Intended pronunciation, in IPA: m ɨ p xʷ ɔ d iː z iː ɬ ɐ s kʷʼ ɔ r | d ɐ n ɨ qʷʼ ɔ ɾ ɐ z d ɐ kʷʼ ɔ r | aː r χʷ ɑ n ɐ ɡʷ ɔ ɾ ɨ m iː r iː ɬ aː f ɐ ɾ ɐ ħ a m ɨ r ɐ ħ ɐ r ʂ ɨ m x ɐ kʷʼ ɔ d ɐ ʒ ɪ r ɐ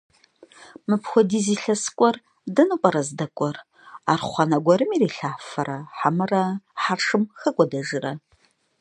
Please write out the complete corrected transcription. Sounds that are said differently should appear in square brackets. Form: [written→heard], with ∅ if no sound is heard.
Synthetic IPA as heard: m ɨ p xʷ ɔ d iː z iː ɬ ɐ s kʷʼ ɔ r | d ɐ n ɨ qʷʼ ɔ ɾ ɐ z d ɐ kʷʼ ɔ r | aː r χʷ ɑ n ɐ ɡʷ ɔ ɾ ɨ m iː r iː ɬ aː f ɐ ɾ ɐ ħ a m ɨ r ɐ ħ [ɐ→a] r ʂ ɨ m x ɐ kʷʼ ɔ d ɐ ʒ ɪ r ɐ

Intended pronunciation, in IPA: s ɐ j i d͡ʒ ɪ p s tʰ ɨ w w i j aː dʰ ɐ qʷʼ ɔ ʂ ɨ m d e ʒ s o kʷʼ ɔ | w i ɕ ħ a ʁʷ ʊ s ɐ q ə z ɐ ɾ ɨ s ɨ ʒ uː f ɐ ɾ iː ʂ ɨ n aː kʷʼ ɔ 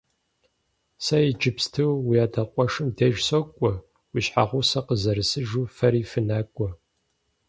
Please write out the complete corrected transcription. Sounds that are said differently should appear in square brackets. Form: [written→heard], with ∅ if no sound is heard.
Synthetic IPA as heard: s ɐ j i d͡ʒ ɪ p s tʰ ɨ w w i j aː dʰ ɐ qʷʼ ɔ ʂ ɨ m d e ʒ s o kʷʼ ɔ | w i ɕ ħ a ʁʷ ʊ s ɐ q ə z ɐ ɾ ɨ s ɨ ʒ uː f ɐ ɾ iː [ʂ→f] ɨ n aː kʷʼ ɔ

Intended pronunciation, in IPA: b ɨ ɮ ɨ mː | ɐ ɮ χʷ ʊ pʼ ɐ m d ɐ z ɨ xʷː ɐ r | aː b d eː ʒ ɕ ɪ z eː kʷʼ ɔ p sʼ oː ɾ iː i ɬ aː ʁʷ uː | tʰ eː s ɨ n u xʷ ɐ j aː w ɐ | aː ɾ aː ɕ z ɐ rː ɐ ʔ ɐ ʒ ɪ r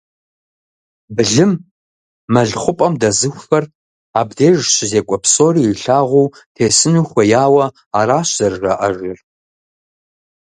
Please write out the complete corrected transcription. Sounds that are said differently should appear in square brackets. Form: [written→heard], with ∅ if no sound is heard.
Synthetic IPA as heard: b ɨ ɮ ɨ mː | ɐ ɮ χʷ ʊ pʼ ɐ m d ɐ z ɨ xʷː ɐ r | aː b d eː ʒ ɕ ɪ z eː kʷʼ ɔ p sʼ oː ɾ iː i ɬ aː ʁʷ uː | tʰ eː s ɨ n u xʷ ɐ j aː w ɐ | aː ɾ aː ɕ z ɐ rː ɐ ʔ ɐ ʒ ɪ r

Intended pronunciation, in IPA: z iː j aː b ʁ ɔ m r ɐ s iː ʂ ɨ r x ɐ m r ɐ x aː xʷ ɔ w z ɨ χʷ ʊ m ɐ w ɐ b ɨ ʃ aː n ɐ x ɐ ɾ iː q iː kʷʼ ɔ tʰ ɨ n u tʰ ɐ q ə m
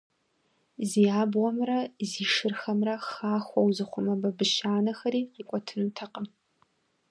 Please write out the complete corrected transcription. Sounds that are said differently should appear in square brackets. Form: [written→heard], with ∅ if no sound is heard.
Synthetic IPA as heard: z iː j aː b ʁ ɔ m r ɐ [s→z] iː ʂ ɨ r x ɐ m r ɐ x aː xʷ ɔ w z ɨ χʷ ʊ m ɐ [w→b] ɐ b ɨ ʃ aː n ɐ x ɐ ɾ iː q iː kʷʼ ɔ tʰ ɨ n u tʰ ɐ q ə m

